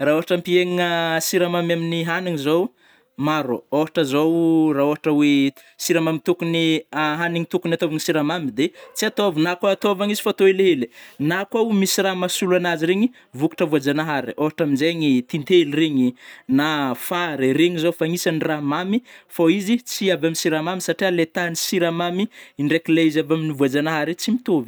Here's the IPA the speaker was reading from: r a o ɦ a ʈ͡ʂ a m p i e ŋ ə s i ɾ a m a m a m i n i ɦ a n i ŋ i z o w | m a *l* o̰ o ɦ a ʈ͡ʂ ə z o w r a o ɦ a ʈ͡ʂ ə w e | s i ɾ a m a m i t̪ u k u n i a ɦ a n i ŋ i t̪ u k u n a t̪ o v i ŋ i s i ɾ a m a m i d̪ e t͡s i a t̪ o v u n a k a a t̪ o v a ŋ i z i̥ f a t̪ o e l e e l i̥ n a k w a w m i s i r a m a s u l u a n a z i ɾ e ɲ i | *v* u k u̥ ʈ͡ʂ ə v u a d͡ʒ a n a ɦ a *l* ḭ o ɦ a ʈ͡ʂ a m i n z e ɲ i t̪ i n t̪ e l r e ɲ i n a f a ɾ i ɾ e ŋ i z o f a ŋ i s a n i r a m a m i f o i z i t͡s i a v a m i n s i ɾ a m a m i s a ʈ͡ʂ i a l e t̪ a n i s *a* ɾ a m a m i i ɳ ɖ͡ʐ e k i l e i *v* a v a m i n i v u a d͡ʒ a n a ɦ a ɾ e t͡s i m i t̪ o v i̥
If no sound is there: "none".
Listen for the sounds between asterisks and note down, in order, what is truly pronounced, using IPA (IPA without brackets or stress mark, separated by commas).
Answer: ɾ, v, ɾ, i, z